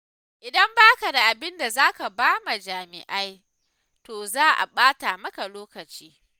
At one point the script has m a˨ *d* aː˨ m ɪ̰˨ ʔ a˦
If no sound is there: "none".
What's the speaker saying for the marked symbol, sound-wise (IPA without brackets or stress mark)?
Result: d͡ʒ